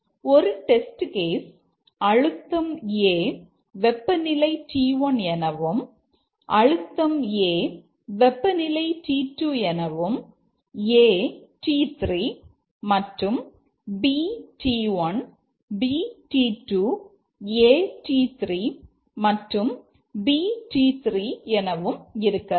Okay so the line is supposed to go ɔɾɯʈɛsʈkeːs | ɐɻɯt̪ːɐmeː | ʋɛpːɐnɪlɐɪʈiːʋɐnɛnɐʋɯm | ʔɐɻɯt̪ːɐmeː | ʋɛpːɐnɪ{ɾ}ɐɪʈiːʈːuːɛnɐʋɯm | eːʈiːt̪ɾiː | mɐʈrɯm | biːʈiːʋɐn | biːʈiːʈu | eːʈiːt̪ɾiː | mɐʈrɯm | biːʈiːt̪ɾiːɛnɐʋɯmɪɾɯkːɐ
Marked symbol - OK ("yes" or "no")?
no